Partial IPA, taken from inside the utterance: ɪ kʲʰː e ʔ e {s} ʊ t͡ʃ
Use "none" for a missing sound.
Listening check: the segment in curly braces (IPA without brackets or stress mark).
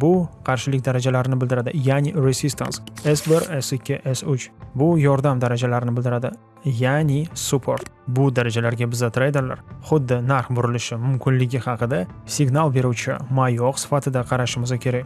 s